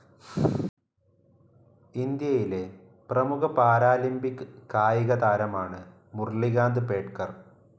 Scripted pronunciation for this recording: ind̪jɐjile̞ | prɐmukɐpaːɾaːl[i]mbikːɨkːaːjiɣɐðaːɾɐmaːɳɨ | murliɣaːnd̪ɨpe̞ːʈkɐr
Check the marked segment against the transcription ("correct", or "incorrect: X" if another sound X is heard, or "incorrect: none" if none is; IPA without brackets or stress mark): correct